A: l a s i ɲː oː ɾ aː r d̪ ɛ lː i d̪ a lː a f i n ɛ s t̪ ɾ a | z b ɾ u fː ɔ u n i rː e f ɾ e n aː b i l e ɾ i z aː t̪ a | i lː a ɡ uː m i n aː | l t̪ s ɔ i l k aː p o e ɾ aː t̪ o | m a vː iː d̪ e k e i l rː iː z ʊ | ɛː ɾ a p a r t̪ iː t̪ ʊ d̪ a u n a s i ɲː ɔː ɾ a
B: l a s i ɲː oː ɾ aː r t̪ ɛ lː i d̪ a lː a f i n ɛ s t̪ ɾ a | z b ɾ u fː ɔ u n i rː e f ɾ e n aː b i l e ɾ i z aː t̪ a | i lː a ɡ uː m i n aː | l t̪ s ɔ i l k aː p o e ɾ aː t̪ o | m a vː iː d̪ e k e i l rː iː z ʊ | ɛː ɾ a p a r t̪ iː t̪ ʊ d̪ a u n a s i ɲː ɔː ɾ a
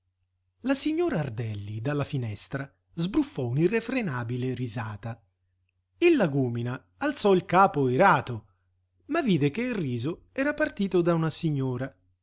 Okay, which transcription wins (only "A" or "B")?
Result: A